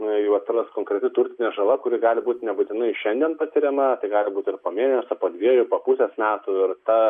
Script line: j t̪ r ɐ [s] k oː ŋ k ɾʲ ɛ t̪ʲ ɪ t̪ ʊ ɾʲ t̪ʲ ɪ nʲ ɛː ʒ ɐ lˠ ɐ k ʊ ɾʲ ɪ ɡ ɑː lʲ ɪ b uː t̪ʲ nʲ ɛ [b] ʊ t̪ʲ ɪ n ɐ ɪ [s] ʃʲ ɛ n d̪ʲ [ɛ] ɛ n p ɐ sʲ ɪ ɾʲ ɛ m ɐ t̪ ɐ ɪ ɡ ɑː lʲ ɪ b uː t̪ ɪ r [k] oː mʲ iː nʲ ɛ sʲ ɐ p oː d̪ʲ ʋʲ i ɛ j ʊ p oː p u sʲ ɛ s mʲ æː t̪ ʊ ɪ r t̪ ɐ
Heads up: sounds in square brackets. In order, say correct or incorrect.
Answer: correct, correct, incorrect: none, incorrect: i, incorrect: p

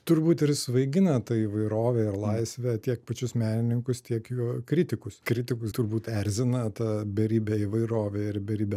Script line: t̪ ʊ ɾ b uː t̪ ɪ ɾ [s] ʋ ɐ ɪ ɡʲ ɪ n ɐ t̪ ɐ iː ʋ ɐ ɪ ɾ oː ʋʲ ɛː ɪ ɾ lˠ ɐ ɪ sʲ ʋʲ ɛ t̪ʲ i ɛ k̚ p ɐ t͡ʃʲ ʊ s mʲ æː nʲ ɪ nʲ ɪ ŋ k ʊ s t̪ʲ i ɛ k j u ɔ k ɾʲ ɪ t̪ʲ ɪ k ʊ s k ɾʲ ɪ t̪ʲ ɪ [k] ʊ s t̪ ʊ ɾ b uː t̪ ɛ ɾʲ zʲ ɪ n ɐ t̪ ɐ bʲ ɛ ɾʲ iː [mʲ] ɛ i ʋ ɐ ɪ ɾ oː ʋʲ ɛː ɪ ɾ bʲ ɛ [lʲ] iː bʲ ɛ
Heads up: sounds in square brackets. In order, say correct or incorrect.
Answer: correct, correct, incorrect: bʲ, incorrect: ɾʲ

